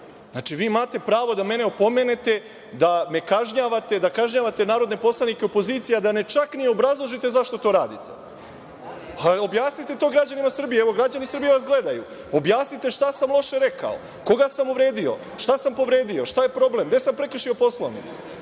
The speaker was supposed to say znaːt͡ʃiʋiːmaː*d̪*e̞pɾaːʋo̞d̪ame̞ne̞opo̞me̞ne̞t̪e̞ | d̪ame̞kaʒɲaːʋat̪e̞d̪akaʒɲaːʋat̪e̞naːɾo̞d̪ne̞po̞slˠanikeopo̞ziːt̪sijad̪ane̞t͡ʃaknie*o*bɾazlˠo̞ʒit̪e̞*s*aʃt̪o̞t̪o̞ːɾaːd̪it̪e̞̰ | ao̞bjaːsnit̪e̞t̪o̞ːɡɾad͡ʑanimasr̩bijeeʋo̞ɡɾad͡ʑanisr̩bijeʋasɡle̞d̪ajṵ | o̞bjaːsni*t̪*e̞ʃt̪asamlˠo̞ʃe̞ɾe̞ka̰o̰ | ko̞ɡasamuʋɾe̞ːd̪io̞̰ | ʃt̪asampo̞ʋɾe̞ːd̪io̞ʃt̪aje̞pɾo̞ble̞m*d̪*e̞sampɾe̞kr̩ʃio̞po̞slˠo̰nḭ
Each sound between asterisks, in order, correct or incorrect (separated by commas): incorrect, correct, incorrect, correct, correct